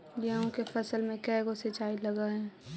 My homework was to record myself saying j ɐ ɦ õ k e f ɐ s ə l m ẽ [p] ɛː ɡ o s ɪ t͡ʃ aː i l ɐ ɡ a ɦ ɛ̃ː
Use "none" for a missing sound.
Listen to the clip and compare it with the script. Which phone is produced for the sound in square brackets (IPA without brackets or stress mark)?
k